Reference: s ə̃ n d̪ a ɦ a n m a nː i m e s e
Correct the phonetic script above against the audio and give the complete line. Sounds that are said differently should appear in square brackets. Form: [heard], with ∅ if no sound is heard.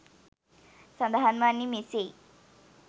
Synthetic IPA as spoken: s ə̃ n d̪ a ɦ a n m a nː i m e s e